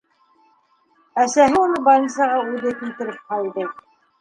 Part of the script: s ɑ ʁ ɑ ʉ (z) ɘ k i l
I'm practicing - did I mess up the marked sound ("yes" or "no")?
yes